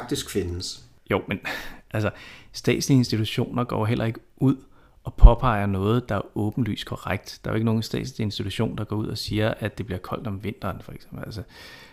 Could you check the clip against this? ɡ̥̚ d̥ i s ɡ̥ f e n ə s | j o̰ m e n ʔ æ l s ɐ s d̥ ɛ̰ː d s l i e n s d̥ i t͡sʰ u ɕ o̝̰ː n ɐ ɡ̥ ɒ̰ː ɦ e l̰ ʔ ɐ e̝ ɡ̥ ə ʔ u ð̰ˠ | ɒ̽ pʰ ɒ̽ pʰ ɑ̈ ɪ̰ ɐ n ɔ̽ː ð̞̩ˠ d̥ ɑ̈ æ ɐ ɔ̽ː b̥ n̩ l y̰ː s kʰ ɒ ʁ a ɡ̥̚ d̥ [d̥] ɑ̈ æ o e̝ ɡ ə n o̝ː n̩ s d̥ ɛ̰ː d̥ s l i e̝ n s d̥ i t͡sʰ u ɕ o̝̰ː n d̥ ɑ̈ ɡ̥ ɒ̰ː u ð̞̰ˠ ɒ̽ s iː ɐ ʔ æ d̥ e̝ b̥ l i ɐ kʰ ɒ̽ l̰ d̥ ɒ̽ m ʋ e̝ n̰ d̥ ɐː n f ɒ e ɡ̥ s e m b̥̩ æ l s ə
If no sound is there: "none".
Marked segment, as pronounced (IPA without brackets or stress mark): d̥